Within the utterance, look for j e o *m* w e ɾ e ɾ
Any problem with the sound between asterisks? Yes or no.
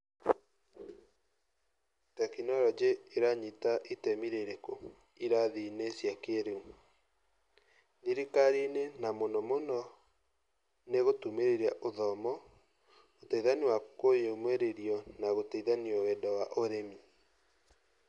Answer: no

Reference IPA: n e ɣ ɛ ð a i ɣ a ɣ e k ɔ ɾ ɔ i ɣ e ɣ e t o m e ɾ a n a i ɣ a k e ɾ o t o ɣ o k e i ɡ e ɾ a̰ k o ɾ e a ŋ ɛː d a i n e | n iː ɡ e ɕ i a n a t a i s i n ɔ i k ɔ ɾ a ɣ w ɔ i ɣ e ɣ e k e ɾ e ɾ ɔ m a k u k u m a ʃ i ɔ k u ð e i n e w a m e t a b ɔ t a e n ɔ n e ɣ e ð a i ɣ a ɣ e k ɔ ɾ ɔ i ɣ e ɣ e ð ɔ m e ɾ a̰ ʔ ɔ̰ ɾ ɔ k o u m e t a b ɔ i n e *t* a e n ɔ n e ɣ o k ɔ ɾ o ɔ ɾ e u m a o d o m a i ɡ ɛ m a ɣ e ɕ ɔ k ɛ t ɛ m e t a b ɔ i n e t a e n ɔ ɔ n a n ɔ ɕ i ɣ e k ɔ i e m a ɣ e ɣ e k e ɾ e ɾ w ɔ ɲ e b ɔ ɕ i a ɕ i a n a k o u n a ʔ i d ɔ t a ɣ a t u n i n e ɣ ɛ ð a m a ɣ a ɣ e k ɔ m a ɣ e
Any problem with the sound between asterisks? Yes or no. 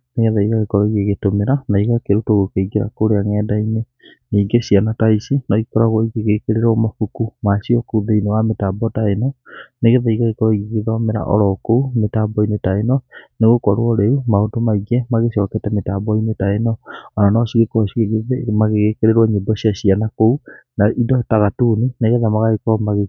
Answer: no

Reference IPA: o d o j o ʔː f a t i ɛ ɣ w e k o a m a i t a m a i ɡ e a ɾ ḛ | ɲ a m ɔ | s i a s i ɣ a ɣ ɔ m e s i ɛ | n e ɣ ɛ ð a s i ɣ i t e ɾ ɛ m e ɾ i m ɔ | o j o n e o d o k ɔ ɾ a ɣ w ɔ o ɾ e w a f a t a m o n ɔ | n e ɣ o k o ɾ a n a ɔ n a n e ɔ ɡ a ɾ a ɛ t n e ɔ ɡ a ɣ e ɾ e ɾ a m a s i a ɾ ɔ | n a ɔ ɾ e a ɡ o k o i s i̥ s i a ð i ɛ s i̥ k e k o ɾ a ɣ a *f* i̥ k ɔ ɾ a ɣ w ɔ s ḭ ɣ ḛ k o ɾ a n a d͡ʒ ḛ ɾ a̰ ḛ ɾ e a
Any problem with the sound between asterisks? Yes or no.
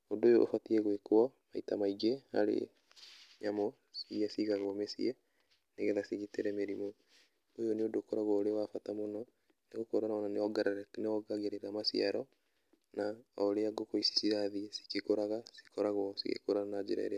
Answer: yes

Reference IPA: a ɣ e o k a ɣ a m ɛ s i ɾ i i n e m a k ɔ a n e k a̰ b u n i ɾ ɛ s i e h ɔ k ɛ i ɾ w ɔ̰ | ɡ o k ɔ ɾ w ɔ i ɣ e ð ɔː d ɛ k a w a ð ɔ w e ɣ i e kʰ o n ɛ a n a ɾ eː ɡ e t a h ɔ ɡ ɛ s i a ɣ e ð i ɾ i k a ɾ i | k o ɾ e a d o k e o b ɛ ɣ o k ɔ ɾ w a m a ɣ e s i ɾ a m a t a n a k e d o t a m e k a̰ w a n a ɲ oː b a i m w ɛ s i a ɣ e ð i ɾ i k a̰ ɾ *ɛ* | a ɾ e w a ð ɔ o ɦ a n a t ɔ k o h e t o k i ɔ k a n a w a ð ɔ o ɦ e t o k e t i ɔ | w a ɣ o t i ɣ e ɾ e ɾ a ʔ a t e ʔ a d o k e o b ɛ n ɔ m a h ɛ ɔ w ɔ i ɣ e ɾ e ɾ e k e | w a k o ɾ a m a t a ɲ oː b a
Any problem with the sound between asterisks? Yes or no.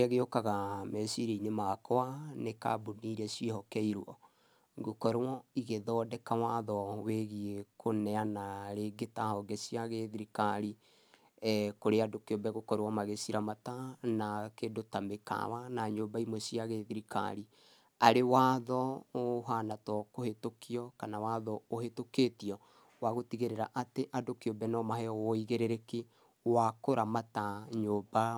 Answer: yes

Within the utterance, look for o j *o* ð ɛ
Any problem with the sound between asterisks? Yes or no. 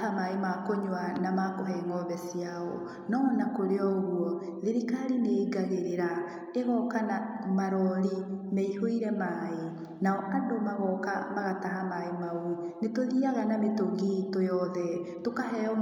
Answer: yes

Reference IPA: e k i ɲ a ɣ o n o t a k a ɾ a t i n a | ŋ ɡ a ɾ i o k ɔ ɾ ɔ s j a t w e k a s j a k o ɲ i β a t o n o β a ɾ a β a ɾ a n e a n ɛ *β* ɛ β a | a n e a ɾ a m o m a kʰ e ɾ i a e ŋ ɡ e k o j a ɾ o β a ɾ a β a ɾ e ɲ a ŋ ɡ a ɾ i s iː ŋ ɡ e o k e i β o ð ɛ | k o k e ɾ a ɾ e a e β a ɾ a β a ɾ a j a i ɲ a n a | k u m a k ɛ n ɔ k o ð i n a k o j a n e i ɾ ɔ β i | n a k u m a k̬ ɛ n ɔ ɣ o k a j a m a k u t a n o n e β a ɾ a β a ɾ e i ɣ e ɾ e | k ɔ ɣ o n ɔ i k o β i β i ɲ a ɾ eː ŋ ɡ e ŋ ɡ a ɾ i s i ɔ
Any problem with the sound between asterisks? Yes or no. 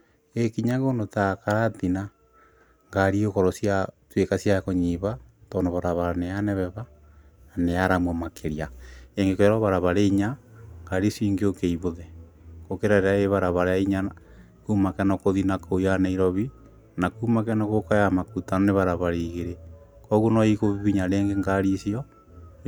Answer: no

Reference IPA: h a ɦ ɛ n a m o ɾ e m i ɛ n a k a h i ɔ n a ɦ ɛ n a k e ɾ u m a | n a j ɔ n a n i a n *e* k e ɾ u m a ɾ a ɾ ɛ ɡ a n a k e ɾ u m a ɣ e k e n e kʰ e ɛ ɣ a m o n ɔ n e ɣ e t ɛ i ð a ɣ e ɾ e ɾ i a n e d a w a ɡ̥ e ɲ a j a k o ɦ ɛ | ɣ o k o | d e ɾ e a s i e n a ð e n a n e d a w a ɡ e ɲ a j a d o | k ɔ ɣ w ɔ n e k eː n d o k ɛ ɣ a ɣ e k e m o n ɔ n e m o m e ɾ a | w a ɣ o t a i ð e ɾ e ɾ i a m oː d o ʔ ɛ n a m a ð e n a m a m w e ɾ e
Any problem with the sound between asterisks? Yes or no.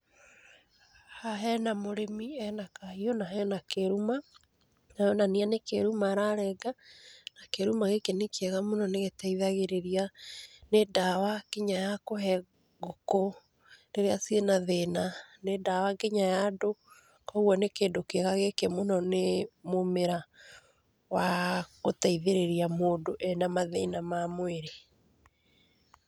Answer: no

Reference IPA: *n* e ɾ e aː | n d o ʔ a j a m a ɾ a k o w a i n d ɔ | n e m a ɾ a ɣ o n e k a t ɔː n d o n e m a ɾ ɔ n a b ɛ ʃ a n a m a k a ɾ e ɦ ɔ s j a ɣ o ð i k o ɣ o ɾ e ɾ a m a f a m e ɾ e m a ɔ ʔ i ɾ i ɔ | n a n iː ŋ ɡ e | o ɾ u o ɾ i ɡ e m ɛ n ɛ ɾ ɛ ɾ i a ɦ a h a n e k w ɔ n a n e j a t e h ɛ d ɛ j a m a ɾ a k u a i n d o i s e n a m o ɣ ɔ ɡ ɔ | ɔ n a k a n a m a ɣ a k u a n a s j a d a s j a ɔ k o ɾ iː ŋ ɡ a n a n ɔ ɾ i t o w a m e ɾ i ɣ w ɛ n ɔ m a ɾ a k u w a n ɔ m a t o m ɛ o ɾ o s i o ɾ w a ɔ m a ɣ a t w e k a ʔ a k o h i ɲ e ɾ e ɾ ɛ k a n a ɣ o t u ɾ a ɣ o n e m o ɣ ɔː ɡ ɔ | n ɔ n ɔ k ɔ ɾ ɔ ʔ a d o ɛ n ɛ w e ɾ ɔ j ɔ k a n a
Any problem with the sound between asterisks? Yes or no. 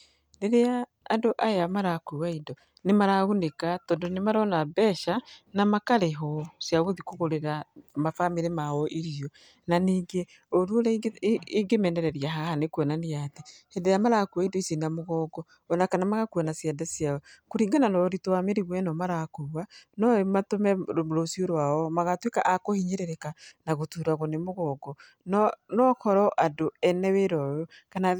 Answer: no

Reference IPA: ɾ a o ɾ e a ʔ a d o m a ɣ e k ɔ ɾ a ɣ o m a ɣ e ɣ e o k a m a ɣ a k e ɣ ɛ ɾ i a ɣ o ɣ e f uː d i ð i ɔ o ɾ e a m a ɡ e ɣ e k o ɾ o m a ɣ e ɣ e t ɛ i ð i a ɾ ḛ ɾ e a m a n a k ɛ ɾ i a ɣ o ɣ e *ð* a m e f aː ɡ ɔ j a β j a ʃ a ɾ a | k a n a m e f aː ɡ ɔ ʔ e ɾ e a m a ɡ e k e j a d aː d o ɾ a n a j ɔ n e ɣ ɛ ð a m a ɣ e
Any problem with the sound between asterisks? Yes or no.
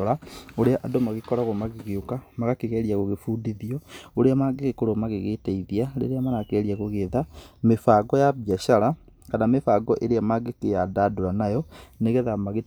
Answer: no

